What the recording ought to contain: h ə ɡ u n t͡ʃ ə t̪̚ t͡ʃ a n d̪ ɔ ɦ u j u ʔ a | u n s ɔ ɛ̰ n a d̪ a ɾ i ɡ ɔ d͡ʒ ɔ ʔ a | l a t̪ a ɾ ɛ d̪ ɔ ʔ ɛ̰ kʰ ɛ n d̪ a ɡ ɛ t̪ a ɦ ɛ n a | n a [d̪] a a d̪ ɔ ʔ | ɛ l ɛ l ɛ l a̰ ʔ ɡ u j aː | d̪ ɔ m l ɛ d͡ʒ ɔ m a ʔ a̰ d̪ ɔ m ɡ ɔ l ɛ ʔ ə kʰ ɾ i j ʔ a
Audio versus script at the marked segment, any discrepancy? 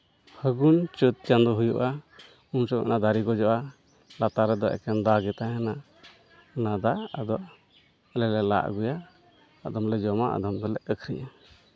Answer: no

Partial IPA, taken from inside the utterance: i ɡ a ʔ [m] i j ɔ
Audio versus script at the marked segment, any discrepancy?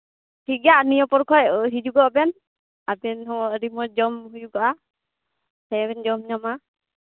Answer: yes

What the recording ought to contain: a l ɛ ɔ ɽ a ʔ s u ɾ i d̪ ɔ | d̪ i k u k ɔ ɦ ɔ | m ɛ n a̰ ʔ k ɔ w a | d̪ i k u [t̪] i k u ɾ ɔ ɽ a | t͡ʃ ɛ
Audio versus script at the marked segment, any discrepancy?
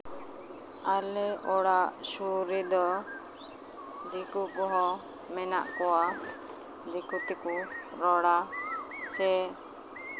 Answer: no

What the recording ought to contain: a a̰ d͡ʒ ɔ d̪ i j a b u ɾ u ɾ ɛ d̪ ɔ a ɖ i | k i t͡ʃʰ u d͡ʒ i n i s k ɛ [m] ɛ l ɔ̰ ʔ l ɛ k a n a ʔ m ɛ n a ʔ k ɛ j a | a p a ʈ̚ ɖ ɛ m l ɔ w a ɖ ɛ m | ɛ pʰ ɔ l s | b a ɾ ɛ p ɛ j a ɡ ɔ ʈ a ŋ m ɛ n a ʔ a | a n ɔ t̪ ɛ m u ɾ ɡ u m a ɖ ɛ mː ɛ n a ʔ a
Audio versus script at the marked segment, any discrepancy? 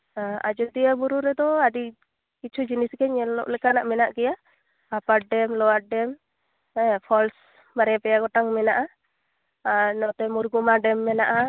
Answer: yes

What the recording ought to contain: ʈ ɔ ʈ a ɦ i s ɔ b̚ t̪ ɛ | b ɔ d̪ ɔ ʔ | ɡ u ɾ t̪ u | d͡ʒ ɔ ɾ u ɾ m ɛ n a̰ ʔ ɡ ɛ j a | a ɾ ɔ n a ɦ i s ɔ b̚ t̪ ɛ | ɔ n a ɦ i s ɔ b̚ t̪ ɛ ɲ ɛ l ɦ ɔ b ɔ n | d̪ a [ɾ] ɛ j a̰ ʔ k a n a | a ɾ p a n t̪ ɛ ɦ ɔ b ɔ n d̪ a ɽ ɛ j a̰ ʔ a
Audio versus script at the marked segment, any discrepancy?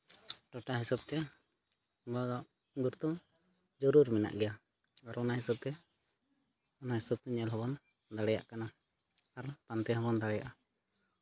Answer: yes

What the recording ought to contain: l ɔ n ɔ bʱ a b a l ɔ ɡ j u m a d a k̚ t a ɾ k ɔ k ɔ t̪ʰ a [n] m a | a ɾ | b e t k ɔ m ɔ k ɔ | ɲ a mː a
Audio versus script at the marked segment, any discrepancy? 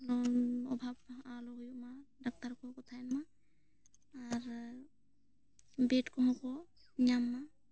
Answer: no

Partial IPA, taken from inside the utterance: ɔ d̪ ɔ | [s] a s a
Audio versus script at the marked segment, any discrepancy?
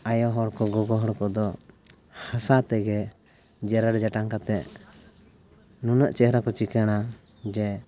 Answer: yes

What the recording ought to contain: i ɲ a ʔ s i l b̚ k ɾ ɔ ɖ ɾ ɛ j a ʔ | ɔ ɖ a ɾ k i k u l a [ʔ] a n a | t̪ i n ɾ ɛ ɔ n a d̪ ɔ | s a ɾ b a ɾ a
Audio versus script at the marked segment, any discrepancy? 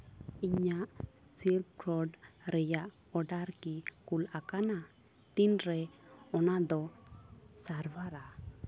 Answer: yes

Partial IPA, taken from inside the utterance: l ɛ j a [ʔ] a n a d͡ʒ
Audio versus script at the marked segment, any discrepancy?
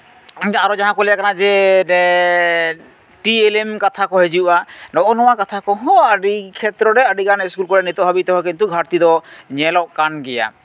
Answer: yes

